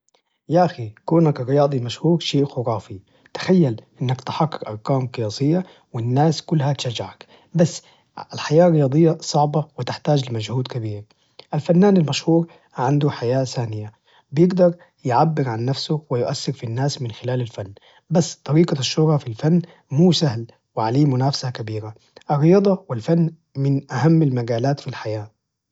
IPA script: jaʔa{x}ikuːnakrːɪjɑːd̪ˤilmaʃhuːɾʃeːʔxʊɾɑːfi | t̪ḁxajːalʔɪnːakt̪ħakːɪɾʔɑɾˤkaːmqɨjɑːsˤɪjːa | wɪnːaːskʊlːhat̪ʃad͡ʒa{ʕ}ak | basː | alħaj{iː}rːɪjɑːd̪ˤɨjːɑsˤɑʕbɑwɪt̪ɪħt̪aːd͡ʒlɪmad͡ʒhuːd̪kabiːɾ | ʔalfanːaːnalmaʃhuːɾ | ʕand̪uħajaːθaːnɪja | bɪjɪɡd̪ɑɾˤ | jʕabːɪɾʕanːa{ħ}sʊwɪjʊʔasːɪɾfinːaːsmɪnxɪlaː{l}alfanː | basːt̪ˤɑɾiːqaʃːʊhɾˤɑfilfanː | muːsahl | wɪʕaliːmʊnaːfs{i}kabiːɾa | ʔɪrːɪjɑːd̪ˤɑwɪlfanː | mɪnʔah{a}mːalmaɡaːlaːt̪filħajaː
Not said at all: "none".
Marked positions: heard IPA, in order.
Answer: x, ʕ, aː, f, l, a, a

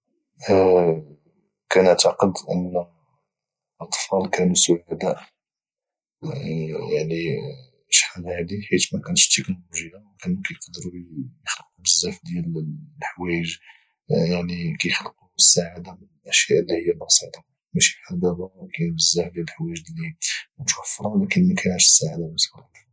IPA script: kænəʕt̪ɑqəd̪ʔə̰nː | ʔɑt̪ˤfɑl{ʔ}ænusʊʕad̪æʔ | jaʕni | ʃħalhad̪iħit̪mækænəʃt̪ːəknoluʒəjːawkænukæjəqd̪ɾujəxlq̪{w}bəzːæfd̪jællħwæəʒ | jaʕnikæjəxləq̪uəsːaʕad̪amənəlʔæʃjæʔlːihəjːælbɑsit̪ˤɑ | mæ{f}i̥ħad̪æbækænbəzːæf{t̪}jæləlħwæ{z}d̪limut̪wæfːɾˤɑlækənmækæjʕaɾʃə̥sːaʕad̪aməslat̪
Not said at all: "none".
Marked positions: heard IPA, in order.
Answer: k, u, ʃ, d̪, ʒ

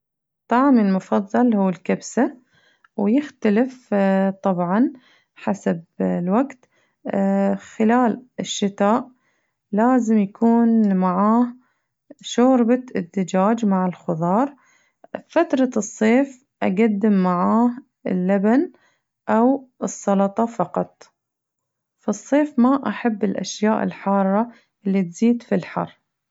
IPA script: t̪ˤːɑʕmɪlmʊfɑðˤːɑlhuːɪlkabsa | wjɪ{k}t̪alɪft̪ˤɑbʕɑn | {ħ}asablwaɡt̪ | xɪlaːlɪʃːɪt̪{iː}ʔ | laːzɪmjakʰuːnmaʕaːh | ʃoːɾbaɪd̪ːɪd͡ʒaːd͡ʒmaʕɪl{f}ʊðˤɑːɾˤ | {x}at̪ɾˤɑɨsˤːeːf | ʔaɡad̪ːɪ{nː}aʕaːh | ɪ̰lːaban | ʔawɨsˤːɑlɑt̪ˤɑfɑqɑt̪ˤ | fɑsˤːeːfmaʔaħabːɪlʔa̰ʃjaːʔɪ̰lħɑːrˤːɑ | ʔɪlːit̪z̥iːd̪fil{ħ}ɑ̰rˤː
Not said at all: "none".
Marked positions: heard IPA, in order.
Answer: x, ħ, aː, x, f, mː, ħ

